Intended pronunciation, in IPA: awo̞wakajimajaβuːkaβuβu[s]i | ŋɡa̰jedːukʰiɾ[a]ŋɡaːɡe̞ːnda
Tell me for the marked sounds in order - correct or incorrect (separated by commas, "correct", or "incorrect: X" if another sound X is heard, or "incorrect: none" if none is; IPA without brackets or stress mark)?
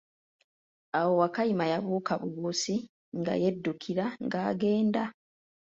correct, correct